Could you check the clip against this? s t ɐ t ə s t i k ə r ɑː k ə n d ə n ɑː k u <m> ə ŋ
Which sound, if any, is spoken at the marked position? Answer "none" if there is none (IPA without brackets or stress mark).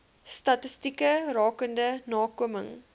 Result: m